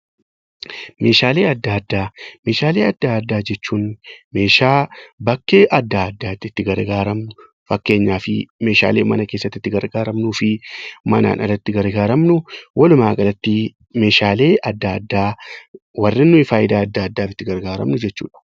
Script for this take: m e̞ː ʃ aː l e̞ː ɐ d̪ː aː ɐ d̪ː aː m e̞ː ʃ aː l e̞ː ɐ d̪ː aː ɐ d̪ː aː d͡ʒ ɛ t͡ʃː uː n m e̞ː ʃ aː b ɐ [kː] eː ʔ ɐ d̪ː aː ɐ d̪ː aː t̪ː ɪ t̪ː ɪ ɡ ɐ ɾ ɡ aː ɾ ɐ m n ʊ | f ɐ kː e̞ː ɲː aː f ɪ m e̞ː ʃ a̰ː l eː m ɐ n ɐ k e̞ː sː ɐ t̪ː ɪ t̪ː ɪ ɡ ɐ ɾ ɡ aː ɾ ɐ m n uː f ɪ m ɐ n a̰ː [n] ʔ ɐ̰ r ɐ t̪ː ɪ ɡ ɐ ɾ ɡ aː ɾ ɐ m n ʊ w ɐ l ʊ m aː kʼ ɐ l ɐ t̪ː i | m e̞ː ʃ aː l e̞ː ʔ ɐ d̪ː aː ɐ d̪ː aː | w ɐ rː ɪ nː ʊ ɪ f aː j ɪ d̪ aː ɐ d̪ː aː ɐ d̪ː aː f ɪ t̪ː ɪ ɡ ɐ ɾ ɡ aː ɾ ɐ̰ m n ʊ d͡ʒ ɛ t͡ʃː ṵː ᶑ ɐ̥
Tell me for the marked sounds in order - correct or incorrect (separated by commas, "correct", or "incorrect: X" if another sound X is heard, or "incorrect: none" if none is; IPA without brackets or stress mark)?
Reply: correct, correct